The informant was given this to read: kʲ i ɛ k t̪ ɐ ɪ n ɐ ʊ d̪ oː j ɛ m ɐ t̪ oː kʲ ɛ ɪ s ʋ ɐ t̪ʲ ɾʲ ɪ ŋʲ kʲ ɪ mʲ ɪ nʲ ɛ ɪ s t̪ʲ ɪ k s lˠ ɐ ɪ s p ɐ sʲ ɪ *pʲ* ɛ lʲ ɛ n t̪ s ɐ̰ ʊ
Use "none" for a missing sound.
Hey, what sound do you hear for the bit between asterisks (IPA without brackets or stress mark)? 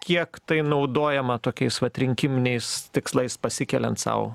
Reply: kʲ